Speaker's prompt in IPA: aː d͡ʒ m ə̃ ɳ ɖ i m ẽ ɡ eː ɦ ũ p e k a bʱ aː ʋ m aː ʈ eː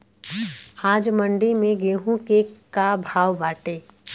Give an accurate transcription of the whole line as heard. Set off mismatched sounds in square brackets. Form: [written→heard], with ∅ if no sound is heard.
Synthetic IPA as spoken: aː d͡ʒ m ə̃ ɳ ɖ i m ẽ ɡ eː ɦ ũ [p→k] e k a bʱ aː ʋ [m→b] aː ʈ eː